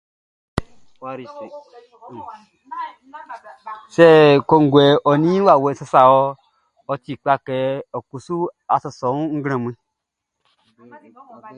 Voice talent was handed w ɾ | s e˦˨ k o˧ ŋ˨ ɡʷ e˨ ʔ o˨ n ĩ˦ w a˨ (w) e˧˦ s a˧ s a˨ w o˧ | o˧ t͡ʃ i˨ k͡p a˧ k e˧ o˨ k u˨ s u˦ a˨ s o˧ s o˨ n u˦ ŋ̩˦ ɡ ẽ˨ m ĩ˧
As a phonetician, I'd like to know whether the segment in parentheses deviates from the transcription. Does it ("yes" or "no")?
no